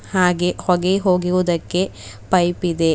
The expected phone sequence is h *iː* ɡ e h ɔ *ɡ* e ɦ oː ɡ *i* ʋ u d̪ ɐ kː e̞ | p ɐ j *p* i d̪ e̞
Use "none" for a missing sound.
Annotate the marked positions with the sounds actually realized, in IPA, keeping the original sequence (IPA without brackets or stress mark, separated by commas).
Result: aː, ɡ, i, p